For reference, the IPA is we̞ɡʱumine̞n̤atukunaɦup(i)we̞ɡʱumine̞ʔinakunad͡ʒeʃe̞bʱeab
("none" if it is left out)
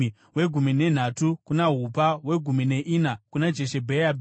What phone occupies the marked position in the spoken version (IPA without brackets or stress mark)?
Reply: a